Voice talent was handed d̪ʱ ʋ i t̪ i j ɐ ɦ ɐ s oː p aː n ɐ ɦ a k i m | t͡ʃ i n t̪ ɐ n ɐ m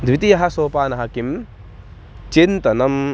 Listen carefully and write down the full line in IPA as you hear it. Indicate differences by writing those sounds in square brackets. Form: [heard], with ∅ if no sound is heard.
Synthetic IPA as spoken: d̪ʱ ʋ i t̪ i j ɐ ɦ ɐ s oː p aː n ɐ ɦ [ɐ] k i m | t͡ʃ i n t̪ ɐ n ɐ m

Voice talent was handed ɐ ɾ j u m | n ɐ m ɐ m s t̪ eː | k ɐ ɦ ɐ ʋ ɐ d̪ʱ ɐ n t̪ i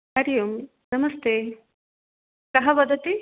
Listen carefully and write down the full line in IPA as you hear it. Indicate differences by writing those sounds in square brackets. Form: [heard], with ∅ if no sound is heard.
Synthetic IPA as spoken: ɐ ɾ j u m | n ɐ m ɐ [∅] s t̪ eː | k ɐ ɦ ɐ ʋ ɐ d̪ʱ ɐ [∅] t̪ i

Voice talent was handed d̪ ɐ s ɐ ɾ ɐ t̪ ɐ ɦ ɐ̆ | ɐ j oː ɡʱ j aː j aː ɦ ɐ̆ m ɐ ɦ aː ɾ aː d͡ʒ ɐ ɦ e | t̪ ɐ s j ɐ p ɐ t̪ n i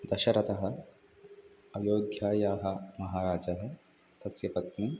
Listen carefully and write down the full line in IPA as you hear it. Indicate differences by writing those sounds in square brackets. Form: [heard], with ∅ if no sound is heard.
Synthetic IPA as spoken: d̪ ɐ [ʃ] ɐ ɾ ɐ t̪ ɐ ɦ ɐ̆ | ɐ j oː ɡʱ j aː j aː ɦ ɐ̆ m ɐ ɦ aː ɾ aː d͡ʒ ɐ ɦ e | t̪ ɐ s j ɐ p ɐ t̪ n i

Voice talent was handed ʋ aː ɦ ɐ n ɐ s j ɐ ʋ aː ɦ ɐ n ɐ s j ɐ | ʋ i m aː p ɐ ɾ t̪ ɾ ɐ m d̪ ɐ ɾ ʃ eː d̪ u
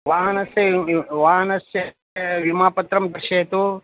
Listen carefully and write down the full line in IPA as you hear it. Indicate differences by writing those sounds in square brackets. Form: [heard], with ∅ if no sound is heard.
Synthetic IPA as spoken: ʋ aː ɦ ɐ n ɐ s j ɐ ʋ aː ɦ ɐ n ɐ s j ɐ | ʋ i m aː p ɐ [∅] t̪ ɾ ɐ m d̪ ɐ ɾ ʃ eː [t̪] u

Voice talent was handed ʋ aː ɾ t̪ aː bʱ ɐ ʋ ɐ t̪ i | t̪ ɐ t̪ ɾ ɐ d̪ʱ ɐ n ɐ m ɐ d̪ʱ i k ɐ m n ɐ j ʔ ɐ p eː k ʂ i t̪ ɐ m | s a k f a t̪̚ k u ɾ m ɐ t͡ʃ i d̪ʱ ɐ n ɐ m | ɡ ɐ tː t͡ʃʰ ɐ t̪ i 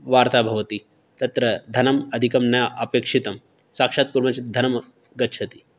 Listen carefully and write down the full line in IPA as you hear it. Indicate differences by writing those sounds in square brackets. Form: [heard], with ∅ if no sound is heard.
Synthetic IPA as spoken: ʋ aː ɾ t̪ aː bʱ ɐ ʋ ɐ t̪ i | t̪ ɐ t̪ ɾ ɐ d̪ʱ ɐ n ɐ m ɐ d̪ʱ i k ɐ m n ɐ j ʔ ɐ p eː k ʂ i t̪ ɐ m | s a k [ʂ] a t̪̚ k u ɾ m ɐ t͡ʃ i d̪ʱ ɐ n ɐ m | ɡ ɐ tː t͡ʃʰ ɐ t̪ i

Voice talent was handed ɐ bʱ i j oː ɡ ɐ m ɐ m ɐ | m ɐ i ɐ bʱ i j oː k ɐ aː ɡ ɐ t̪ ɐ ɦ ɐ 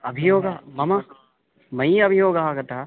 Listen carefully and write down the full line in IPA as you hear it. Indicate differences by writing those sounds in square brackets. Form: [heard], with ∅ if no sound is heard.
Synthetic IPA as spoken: ɐ bʱ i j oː ɡ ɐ m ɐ m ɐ | m ɐ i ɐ bʱ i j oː [ɡ] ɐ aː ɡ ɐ t̪ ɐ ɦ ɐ

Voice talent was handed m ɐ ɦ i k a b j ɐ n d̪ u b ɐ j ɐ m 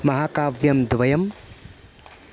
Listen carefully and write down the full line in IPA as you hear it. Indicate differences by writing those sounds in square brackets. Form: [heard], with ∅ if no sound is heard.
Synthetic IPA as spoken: m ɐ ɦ [a] k a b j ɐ [m] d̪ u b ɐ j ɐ m

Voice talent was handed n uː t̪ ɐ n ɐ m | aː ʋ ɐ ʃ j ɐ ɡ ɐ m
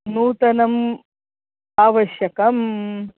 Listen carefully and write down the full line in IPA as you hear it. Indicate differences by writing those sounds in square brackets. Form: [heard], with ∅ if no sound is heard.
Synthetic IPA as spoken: n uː t̪ ɐ n ɐ m | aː ʋ ɐ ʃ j ɐ [k] ɐ m

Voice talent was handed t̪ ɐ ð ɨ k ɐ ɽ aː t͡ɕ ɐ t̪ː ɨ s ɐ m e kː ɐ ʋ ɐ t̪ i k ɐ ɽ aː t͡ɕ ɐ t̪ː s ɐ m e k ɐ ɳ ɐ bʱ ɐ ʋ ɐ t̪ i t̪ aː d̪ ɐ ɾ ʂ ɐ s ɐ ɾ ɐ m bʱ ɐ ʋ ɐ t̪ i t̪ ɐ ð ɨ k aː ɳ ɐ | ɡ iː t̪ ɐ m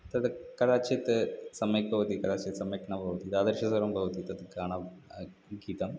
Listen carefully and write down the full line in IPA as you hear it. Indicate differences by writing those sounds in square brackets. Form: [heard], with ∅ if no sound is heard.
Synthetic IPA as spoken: t̪ ɐ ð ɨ k ɐ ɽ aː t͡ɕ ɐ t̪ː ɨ s ɐ m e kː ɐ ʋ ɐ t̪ i k ɐ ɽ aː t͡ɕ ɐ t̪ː s ɐ m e k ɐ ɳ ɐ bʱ ɐ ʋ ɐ t̪ i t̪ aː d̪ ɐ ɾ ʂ ɐ s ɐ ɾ ɐ m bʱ ɐ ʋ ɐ t̪ i t̪ ɐ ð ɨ k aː ɳ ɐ | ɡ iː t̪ ɐ m

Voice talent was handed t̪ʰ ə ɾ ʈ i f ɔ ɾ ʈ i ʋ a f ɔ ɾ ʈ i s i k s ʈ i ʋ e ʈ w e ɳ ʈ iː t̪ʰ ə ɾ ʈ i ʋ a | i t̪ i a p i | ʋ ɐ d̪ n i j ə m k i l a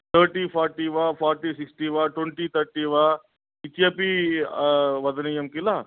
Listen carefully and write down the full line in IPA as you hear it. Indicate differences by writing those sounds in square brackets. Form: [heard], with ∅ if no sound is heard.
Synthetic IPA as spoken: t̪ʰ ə ɾ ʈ i f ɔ ɾ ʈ i ʋ a f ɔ ɾ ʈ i s i k s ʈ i ʋ [a] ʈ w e ɳ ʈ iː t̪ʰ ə ɾ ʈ i ʋ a | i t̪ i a p i | ʋ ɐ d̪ n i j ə m k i l a

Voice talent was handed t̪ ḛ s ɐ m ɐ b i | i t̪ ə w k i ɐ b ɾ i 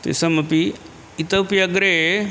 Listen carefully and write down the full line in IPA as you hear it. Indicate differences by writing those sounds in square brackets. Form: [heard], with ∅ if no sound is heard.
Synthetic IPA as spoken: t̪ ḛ s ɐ m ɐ [p] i | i t̪ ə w [p] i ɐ [ɡ] ɾ [e]

